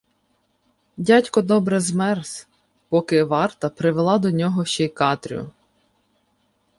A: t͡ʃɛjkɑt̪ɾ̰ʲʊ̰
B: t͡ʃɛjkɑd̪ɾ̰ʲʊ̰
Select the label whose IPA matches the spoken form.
A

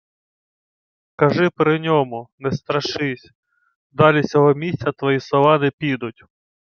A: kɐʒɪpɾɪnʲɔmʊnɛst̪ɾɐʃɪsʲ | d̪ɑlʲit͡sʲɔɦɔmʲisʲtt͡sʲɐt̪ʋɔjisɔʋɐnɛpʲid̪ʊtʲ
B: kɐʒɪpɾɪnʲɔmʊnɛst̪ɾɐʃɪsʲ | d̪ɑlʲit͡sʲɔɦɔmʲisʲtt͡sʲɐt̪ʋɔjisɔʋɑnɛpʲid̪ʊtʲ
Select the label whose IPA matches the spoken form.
B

